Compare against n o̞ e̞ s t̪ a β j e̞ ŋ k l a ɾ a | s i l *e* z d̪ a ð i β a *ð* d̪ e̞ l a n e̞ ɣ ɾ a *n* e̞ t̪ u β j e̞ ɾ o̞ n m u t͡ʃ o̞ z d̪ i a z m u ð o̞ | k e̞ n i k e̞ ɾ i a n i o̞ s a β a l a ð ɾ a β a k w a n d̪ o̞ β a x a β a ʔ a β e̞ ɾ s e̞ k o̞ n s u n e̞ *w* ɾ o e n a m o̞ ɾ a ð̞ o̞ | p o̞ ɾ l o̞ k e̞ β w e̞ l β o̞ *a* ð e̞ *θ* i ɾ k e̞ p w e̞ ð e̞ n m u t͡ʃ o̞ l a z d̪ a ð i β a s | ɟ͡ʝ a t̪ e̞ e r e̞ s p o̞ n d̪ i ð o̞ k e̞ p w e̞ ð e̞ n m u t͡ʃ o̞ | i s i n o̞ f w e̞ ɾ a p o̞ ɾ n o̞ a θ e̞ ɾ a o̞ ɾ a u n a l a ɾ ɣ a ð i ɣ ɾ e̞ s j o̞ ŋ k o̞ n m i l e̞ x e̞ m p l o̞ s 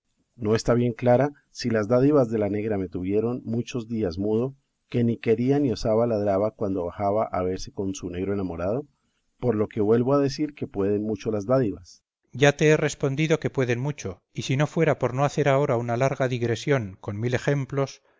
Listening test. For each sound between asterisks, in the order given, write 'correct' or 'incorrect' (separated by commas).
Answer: incorrect, incorrect, incorrect, incorrect, correct, incorrect